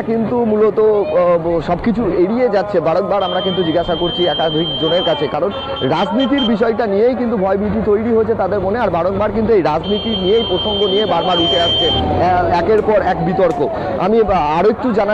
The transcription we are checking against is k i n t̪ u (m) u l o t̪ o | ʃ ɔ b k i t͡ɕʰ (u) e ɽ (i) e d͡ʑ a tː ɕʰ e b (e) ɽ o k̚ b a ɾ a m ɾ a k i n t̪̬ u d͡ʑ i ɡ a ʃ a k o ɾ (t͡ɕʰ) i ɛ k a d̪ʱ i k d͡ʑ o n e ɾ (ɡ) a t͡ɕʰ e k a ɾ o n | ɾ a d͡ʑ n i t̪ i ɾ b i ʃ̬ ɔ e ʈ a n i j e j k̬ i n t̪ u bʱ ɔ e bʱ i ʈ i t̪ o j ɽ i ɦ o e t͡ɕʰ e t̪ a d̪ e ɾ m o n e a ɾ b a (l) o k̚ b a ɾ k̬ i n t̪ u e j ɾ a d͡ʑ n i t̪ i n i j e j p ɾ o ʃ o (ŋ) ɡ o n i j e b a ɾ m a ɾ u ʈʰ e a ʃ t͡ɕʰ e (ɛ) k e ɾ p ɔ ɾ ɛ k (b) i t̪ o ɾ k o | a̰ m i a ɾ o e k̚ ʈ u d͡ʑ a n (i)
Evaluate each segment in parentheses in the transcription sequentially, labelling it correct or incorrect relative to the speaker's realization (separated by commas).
correct, correct, correct, incorrect, correct, incorrect, incorrect, correct, correct, correct, incorrect